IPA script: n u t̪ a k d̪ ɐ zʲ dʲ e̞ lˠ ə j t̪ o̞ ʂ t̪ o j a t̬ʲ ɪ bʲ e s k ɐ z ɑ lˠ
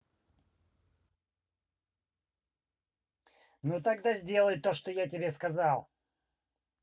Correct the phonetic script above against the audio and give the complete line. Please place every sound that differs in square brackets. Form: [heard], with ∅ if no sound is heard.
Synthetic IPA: n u t̪ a [ɡ] d̪ [a] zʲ dʲ e̞ lˠ ə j t̪ o̞ ʂ t̪ o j a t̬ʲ ɪ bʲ e s k ɐ z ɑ lˠ